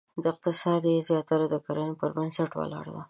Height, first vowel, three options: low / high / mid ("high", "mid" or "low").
mid